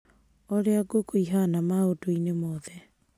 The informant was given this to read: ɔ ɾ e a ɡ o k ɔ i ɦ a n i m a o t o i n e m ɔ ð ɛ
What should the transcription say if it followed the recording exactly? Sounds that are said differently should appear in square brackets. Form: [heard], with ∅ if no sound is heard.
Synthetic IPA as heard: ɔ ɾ e a ɡ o k [o] i ɦ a n [a] m a o t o i n e m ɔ ð ɛ